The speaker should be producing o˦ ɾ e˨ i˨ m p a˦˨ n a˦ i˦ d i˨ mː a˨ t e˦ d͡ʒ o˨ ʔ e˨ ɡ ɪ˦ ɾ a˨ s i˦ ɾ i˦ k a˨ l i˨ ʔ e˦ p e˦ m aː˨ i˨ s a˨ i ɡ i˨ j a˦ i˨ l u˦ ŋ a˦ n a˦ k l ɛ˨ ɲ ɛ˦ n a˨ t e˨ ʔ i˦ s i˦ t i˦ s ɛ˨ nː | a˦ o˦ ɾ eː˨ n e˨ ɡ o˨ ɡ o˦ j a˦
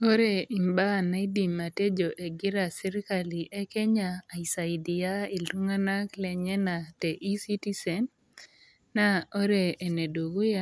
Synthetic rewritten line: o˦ ɾ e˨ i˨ m b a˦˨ n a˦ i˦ d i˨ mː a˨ t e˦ d͡ʒ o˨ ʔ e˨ ɡ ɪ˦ ɾ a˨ s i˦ ɾ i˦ k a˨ l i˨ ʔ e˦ k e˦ ɲ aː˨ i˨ s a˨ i d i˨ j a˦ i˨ l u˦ ŋ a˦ n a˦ k l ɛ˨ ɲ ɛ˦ n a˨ t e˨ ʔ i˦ s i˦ t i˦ s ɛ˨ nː | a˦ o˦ ɾ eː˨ n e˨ d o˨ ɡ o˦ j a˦